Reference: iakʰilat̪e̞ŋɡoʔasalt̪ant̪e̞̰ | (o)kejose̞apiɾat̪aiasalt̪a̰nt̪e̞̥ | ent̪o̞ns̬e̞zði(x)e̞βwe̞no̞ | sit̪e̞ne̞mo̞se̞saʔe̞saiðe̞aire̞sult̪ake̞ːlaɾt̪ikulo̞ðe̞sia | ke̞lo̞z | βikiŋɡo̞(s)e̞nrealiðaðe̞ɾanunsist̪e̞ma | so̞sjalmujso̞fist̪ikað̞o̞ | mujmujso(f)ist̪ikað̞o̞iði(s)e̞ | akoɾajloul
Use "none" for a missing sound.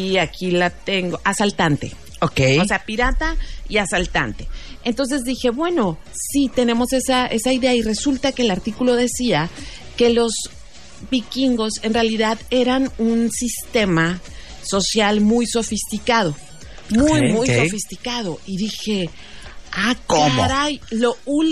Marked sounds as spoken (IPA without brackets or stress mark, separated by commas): o, x, s, f, x